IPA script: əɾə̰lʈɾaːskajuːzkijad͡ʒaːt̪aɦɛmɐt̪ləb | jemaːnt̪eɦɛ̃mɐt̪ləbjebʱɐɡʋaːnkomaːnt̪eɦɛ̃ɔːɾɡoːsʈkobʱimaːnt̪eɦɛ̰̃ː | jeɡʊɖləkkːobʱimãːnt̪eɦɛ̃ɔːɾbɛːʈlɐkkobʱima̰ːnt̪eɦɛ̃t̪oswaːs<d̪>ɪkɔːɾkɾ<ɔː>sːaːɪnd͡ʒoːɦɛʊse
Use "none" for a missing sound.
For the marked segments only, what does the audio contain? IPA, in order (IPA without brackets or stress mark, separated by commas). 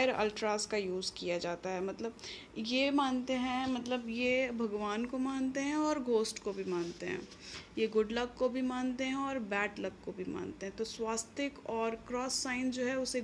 t̪, ɔː